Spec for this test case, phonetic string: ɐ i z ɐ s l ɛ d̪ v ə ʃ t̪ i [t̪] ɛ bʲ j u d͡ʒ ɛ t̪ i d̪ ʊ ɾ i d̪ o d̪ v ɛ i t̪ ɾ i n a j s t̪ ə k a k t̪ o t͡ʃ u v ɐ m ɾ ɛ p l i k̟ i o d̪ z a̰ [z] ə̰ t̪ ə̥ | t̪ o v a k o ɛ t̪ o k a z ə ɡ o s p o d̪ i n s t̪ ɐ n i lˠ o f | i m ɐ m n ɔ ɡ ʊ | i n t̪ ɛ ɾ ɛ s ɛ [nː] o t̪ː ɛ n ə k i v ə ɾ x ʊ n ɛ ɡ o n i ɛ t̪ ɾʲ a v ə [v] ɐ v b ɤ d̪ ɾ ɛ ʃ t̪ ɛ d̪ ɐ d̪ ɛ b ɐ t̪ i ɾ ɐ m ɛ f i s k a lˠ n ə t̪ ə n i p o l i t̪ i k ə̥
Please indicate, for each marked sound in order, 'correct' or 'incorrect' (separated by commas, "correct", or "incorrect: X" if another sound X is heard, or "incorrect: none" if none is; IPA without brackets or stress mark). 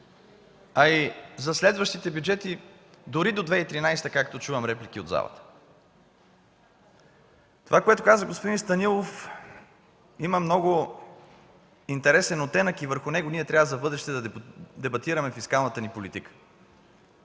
correct, incorrect: v, incorrect: n, incorrect: z